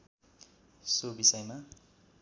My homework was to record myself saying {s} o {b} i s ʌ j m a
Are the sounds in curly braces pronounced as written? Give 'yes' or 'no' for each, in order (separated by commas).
yes, yes